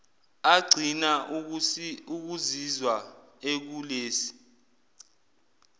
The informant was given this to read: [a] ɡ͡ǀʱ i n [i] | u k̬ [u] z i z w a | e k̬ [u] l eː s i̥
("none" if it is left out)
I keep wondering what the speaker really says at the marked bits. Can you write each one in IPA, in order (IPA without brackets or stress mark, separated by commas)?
a, a, u, u